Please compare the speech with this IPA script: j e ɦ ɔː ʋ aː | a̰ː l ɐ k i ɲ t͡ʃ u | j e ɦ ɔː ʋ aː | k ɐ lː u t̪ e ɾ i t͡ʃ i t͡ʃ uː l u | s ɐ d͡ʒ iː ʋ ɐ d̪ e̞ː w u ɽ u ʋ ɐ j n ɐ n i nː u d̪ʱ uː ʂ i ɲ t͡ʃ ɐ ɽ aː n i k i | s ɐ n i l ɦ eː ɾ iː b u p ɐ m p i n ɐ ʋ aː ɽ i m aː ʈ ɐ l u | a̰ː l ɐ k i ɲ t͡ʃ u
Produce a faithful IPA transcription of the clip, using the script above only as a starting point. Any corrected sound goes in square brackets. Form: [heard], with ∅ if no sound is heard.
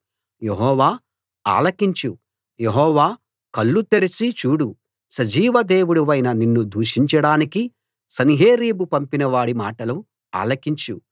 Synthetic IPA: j e ɦ ɔː ʋ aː | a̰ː l ɐ k i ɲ t͡ʃ u | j e ɦ ɔː ʋ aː | k ɐ lː u t̪ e ɾ i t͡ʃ i t͡ʃ uː [ɽ] u | s ɐ d͡ʒ iː ʋ ɐ d̪ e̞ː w u ɽ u ʋ ɐ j n ɐ n i nː u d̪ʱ uː ʂ i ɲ t͡ʃ ɐ ɽ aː n i k i | s ɐ n i [∅] ɦ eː ɾ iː b u p ɐ m p i n ɐ ʋ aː ɽ i m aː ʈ ɐ l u | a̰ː l ɐ k i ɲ t͡ʃ u

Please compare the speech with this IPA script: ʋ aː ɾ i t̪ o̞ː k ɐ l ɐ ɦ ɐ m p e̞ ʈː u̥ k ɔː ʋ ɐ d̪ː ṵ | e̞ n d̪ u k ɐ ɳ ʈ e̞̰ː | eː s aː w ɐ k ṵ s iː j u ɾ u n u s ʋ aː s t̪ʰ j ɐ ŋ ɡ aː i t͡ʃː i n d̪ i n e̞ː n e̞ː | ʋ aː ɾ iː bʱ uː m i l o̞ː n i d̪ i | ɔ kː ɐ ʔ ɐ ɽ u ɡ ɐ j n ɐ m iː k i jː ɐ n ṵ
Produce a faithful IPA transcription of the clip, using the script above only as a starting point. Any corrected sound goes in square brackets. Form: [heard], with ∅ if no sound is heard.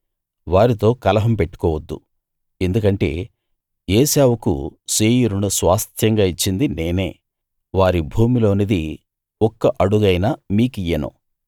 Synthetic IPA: ʋ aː ɾ i t̪ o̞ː k ɐ l ɐ ɦ ɐ m p e̞ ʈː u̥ k ɔː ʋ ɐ d̪ː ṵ | e̞ n d̪ u k ɐ ɳ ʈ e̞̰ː | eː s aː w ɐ k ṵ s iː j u ɾ u n u s ʋ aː s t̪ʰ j ɐ ŋ ɡ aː i t͡ʃː i n d̪ i n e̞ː n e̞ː | ʋ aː ɾ [i] bʱ uː m i l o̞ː n i d̪ i | ɔ kː ɐ ʔ ɐ ɽ u ɡ ɐ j n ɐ m iː k i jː ɐ n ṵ

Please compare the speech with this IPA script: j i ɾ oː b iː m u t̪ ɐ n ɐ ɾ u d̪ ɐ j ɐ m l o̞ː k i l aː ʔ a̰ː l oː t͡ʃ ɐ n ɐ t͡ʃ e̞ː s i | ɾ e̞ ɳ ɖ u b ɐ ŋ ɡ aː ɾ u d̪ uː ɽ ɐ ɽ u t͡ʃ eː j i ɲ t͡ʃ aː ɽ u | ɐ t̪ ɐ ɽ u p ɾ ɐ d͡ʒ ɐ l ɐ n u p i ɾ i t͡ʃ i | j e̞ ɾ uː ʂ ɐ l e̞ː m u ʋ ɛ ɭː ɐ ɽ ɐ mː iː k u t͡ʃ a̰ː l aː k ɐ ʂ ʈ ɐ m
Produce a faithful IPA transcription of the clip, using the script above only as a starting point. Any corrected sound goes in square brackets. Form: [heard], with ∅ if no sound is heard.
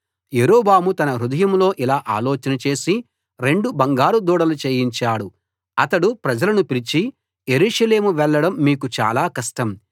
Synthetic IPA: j [e] ɾ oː b [aː] m u t̪ ɐ n ɐ ɾ u d̪ ɐ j ɐ m l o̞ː [ʔ] i l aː ʔ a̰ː l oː t͡ʃ ɐ n ɐ t͡ʃ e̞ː s i | ɾ e̞ ɳ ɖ u b ɐ ŋ ɡ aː ɾ u d̪ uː ɽ ɐ [l] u t͡ʃ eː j i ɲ t͡ʃ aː ɽ u | ɐ t̪ ɐ ɽ u p ɾ ɐ d͡ʒ ɐ l ɐ n u p i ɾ i t͡ʃ i | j e̞ ɾ uː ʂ ɐ l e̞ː m u ʋ ɛ ɭː ɐ ɽ ɐ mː iː k u t͡ʃ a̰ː l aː k ɐ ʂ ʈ ɐ m

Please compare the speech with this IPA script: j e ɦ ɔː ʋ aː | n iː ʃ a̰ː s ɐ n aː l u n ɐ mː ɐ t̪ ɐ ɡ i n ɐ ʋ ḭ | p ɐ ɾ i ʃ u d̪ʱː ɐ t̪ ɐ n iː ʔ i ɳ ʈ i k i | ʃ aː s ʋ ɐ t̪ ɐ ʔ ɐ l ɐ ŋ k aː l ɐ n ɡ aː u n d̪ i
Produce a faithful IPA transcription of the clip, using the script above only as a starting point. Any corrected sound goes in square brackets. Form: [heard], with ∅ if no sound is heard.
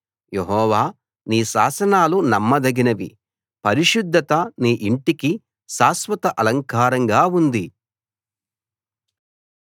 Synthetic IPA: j e ɦ ɔː ʋ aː | n iː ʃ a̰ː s ɐ n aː l u n ɐ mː ɐ [d̪] ɐ ɡ i n ɐ ʋ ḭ | p ɐ ɾ i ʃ u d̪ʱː ɐ t̪ ɐ n iː ʔ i ɳ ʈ i k i | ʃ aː s ʋ ɐ t̪ ɐ ʔ ɐ l ɐ ŋ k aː [ɾ] ɐ [ŋ] ɡ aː u n d̪ i

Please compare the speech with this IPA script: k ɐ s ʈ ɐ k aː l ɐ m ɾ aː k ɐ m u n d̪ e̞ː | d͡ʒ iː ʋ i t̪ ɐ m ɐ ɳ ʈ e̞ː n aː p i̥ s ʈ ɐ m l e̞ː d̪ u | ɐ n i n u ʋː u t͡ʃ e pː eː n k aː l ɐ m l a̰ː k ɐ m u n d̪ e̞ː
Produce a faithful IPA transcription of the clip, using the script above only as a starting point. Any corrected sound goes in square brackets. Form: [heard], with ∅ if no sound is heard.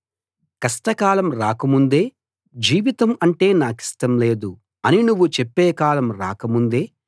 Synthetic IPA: k ɐ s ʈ ɐ k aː l ɐ m ɾ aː k ɐ m u n d̪ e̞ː | d͡ʒ iː ʋ i t̪ ɐ m ɐ ɳ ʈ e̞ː n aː [k] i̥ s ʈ ɐ m l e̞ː d̪ u | ɐ n i n u ʋː u t͡ʃ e pː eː [∅] k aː l ɐ m [ɾ] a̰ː k ɐ m u n d̪ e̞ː

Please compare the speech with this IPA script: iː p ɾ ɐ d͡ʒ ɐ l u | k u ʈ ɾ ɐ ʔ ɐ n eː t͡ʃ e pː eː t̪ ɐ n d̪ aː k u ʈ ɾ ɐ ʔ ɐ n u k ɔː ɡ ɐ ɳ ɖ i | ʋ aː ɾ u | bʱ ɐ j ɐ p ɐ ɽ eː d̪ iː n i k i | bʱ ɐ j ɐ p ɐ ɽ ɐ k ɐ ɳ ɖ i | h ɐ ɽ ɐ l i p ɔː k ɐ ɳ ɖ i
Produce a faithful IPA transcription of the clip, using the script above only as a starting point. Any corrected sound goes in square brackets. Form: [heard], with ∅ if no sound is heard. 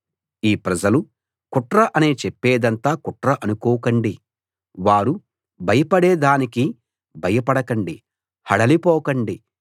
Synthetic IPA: iː p ɾ ɐ d͡ʒ ɐ l u | k u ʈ ɾ ɐ ʔ ɐ n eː t͡ʃ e pː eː [d̪] ɐ n [t̪] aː k u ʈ ɾ ɐ ʔ ɐ n u k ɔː [k] ɐ ɳ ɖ i | ʋ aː ɾ u | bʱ ɐ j ɐ p ɐ ɽ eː d̪ [aː] n i k i | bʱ ɐ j ɐ p ɐ ɽ ɐ k ɐ ɳ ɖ i | h ɐ ɽ ɐ l i p ɔː k ɐ ɳ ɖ i

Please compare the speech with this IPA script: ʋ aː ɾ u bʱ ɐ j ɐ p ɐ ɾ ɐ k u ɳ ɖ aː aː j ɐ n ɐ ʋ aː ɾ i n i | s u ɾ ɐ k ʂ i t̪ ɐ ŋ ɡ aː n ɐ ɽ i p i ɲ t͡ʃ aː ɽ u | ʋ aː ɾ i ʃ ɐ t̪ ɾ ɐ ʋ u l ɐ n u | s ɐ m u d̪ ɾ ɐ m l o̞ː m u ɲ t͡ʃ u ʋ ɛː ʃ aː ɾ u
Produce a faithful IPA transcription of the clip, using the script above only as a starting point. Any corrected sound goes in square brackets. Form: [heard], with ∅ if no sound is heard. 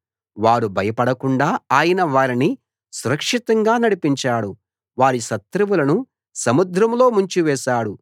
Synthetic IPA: ʋ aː ɾ u bʱ ɐ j ɐ p ɐ [ɽ] ɐ k u ɳ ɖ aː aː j ɐ n ɐ ʋ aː ɾ i n i | s u ɾ ɐ k ʂ i t̪ ɐ ŋ ɡ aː n ɐ ɽ i p i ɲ t͡ʃ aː ɽ u | ʋ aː ɾ i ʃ ɐ t̪ ɾ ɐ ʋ u l ɐ n u | s ɐ m u d̪ ɾ ɐ m l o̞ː m u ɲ t͡ʃ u ʋ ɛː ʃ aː [ɽ] u

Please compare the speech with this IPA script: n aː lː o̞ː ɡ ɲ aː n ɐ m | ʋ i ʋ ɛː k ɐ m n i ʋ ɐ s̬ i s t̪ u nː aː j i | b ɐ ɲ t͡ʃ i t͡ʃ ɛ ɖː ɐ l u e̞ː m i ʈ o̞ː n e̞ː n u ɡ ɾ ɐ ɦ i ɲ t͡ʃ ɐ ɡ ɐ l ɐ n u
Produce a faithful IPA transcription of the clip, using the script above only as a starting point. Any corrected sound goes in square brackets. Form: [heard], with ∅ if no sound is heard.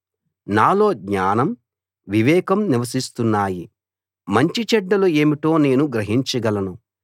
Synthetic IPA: n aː [l] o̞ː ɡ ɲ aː n ɐ m | ʋ i ʋ ɛː k ɐ m n i ʋ ɐ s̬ i s t̪ u nː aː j i | [m] ɐ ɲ t͡ʃ i t͡ʃ ɛ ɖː ɐ l u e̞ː m i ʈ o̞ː n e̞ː n u ɡ ɾ ɐ ɦ i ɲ t͡ʃ ɐ ɡ ɐ l ɐ n u

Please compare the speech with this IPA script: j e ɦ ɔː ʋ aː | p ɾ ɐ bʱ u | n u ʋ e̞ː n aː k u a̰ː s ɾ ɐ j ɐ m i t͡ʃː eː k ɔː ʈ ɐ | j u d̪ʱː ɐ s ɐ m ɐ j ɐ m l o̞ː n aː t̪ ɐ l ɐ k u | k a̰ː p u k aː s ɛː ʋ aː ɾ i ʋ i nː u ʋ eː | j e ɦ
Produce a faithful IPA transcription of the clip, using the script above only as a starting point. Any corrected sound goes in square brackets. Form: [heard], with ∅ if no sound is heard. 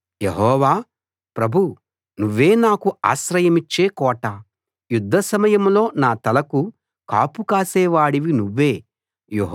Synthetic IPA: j e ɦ ɔː ʋ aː | p ɾ ɐ bʱ u | n u [ʋː] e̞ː n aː k u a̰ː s ɾ ɐ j ɐ m i t͡ʃː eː k ɔː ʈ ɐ | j u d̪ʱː ɐ s ɐ m ɐ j ɐ m l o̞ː n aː t̪ ɐ l ɐ k u | k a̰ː p u k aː s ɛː ʋ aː [ɽ] i ʋ i [n] u [ʋː] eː | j e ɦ

